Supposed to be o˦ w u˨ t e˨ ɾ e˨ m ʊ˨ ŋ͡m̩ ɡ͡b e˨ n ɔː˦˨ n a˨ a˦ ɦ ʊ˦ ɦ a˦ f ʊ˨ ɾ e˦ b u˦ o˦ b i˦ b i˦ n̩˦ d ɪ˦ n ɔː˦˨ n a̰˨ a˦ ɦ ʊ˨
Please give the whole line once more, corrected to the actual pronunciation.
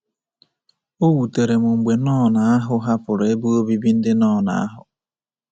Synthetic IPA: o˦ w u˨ t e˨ ɾ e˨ m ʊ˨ ŋ͡m̩ ɡ͡b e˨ n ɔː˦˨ n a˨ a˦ ɦ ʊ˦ ɦ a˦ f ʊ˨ ɾ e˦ b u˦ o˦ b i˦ b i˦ n̩˦ d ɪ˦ n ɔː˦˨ n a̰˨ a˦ ɦ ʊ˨